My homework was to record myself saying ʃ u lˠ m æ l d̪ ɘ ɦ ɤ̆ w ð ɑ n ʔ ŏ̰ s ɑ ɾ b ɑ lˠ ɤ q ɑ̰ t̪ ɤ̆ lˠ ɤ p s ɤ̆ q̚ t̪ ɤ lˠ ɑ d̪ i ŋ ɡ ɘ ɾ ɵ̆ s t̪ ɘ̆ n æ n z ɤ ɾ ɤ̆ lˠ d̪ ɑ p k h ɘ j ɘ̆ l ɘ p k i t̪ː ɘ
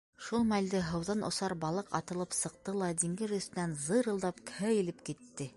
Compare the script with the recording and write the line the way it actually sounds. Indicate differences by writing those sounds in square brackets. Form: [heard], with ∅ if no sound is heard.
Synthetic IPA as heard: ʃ u lˠ m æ l d̪ ɘ ɦ ɤ̆ w ð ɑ n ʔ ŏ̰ s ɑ ɾ b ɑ lˠ ɤ q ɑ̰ t̪ ɤ̆ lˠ ɤ p s ɤ̆ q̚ t̪ ɤ lˠ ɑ d̪ i ŋ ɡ ɘ ɾ ɵ̆ s t̪ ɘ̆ n æ n z ɤ ɾ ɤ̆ lˠ d̪ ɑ p k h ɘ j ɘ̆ l ɘ p k i t̪ː ɘ